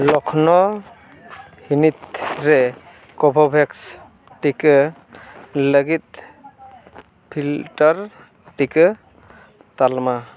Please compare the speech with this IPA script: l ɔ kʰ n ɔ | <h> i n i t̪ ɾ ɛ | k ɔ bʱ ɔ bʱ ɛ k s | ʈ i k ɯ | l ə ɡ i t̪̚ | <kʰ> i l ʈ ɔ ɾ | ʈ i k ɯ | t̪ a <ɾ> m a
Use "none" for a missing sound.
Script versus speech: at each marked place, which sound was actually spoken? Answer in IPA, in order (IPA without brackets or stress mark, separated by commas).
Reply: h, pʰ, l